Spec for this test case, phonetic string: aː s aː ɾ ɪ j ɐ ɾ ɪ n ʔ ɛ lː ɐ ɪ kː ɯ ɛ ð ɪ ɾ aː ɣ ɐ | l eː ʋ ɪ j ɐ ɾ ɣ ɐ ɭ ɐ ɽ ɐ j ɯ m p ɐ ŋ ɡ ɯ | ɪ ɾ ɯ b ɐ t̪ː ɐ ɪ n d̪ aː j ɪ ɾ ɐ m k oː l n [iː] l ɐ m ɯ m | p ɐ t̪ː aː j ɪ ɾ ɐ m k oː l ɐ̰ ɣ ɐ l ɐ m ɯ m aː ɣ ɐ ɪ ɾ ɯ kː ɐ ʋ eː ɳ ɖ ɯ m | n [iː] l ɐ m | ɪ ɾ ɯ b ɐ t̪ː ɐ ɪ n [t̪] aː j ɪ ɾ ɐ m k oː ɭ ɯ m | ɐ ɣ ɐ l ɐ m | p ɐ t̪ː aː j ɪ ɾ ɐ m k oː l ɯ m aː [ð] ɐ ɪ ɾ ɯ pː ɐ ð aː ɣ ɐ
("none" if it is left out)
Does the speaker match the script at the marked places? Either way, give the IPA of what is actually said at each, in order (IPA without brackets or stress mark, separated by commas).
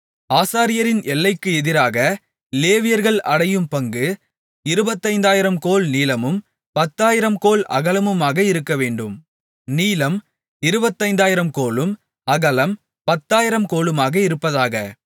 iː, iː, d̪, ɣ